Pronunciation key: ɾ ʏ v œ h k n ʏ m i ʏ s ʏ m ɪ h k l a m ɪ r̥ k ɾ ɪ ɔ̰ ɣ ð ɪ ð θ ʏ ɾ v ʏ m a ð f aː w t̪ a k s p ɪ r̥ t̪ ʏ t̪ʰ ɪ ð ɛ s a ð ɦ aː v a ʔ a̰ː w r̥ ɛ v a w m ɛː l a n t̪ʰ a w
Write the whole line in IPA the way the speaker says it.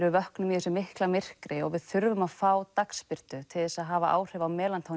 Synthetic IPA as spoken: ɾ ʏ v œ h k n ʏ m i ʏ s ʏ m ɪ h k l a m ɪ r̥ k ɾ ɪ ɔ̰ ɣ v ɪ ð θ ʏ ɾ v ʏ m a ð f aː w t̪ a k s p ɪ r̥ t̪ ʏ t̪ʰ ɪ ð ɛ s a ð ɦ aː v a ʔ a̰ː w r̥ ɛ v a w m ɛː l a n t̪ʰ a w